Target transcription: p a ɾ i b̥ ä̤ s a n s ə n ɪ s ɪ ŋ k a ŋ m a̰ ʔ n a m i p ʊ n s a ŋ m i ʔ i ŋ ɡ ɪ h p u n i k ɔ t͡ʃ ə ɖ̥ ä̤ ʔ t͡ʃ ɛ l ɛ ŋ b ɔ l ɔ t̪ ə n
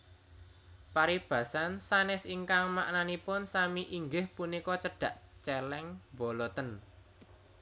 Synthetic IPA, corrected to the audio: p a ɾ i b̥ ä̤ s a n s a n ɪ s i ŋ k a ŋ m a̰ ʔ n a n i p ʊ n s a m i ʔ i ŋ ɡ ɪ h p u n i k ɔ t͡ʃ ə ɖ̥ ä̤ ʔ t͡ʃ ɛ l ɛ ŋ b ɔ l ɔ t̪ ə n